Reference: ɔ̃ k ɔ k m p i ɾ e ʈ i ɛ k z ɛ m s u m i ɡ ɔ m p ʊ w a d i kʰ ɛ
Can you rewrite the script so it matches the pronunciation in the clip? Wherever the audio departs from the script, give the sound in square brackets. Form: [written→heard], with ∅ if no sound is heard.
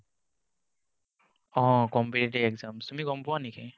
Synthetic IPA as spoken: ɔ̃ k ɔ [k→∅] m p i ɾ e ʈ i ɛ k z [ɛ→a] m s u m i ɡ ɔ m p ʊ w a [d→n] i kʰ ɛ